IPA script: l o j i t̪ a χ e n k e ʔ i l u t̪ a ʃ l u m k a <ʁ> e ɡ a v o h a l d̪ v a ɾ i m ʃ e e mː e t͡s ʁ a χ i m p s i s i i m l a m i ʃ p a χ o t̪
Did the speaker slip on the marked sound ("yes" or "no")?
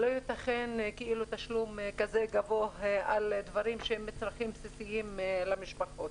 yes